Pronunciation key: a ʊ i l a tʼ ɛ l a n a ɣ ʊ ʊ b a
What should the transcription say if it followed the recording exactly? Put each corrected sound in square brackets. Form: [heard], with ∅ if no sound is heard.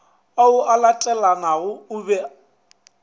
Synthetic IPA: a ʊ [a] l a tʼ ɛ l a n a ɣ ʊ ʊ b [ɛ]